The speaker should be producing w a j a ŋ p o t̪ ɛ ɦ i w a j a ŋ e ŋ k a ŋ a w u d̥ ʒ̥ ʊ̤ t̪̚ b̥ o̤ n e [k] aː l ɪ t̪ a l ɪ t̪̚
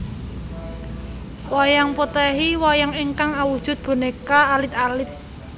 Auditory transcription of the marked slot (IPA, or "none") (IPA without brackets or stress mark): k